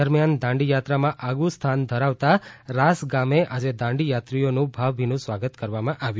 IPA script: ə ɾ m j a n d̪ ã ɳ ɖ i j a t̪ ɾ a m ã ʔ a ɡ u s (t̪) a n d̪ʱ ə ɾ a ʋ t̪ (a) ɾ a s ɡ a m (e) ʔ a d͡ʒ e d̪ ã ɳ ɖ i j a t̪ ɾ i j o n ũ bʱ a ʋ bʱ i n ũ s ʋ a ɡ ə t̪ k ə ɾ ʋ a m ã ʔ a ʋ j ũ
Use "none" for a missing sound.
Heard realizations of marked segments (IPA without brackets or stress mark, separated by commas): t̪ʰ, a, e